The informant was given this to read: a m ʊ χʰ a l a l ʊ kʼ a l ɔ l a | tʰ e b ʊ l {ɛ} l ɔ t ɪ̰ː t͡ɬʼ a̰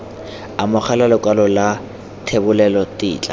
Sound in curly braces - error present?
no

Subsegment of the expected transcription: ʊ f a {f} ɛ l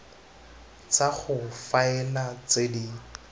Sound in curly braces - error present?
yes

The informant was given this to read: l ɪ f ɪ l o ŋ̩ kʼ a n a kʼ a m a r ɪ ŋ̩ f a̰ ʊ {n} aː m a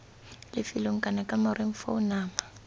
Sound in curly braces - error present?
no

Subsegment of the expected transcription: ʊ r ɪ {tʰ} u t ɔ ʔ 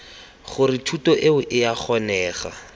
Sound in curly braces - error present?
no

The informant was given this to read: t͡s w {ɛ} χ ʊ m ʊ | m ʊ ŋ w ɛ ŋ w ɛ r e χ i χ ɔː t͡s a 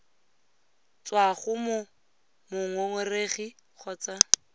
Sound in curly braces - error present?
yes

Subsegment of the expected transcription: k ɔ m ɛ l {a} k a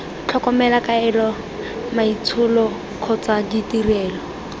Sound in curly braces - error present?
no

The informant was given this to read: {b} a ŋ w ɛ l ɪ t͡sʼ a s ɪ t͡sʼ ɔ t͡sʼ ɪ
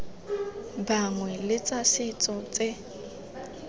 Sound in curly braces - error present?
no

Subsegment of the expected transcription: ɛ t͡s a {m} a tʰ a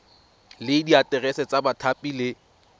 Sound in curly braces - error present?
yes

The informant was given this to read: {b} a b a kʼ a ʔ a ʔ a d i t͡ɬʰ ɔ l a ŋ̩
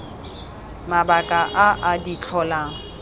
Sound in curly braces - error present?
yes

